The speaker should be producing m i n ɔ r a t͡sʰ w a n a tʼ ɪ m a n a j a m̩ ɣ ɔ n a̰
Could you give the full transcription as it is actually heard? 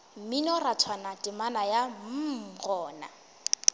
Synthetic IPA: m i n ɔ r a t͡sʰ w a n a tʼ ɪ m a n a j a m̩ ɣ ɔː n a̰